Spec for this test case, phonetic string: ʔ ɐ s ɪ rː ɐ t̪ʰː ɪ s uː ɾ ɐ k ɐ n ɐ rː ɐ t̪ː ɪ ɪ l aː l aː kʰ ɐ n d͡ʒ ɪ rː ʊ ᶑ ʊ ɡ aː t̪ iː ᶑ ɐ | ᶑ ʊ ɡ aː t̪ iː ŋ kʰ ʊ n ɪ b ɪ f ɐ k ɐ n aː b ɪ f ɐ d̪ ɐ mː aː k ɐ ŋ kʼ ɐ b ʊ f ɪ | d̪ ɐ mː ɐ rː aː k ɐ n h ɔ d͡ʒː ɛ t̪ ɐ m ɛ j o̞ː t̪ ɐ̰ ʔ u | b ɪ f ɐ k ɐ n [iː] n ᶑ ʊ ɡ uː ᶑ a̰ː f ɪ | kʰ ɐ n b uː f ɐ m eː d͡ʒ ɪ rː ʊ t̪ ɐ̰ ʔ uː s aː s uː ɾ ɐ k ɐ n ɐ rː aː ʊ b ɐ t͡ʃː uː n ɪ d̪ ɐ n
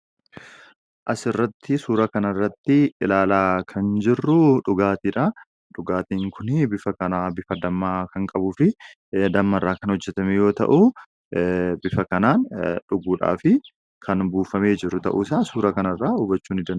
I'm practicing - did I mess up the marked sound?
yes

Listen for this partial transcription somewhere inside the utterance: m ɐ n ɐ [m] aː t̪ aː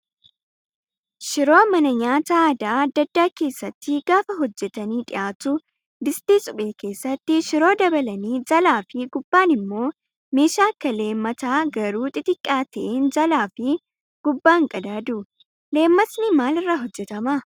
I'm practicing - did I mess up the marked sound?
yes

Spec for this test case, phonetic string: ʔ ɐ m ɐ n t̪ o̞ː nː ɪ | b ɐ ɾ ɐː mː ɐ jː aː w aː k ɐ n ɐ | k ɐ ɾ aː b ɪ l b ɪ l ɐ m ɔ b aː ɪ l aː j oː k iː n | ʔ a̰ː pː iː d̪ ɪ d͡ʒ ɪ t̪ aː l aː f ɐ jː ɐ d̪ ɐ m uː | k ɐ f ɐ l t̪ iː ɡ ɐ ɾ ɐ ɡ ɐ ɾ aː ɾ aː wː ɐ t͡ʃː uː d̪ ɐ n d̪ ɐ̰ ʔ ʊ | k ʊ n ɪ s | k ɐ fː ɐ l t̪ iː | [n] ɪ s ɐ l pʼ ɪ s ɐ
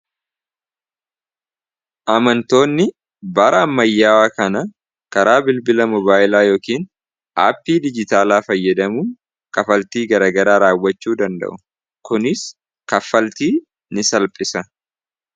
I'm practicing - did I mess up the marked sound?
no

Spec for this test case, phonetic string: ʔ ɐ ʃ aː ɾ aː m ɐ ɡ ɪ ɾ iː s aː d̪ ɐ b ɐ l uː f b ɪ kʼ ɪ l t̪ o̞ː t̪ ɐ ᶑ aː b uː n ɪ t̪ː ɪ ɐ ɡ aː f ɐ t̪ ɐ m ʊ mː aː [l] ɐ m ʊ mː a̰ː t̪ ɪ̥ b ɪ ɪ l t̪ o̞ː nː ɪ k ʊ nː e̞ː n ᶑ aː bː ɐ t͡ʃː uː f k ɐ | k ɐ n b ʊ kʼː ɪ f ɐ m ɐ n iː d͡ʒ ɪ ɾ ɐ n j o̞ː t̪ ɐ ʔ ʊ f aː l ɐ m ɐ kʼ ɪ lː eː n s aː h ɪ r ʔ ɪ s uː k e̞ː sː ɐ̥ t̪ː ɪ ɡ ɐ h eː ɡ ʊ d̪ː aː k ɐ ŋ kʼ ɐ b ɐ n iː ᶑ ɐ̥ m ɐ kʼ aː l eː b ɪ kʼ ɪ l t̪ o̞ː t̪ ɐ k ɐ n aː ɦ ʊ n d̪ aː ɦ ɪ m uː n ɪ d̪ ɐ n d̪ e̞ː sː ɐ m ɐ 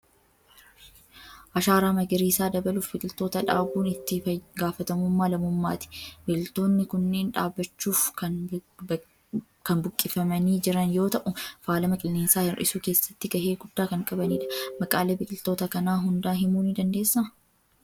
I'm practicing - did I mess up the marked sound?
no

